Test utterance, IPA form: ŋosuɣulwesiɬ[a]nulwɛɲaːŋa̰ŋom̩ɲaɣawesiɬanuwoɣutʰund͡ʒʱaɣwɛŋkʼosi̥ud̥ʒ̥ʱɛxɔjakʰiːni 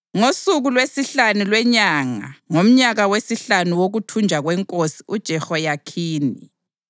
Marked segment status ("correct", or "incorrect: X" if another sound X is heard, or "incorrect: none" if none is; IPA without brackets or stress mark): correct